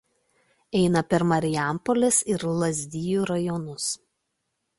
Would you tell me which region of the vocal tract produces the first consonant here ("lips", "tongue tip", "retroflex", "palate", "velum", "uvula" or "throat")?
tongue tip